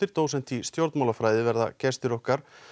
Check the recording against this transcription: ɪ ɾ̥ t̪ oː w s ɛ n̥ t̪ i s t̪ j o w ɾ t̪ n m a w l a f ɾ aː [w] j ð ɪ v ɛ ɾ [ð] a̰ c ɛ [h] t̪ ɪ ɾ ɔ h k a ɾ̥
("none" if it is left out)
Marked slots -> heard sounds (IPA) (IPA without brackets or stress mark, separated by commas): none, ð, s